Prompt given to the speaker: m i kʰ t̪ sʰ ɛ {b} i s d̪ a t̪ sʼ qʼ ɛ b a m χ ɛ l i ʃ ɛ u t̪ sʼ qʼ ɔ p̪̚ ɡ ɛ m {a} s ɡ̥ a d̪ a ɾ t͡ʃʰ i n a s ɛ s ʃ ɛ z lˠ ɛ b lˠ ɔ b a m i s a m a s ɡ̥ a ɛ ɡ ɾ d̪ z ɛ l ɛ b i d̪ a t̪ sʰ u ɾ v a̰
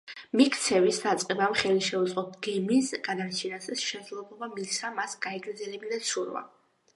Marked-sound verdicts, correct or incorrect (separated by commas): incorrect, incorrect